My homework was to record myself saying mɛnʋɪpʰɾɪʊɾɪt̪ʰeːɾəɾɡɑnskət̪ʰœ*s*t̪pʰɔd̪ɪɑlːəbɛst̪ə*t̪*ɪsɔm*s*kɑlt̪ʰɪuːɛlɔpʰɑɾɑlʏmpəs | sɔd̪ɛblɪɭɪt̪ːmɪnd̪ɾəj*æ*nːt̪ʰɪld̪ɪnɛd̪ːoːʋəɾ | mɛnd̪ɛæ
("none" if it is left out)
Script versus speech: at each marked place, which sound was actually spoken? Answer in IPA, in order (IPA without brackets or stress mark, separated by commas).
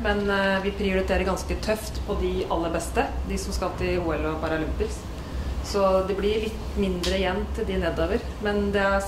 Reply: f, d̪, s, ɛ